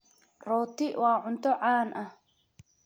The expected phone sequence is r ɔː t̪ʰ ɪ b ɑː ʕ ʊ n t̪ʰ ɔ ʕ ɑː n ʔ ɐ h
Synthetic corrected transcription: r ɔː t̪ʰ ɪ w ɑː ʕ ʊ n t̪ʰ ɔ ʕ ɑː n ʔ ɐ h